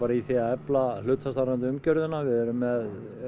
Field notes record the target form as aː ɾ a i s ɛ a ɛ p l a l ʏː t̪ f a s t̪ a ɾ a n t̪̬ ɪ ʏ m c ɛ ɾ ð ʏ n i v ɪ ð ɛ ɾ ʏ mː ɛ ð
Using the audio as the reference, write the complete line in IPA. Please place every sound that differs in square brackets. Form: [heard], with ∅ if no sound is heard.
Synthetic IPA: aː ɾ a i [θ] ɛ a ɛ p l a l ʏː t̪ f a s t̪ a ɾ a n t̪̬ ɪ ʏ m c [œ] ɾ ð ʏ n [a] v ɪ ð ɛ ɾ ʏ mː ɛ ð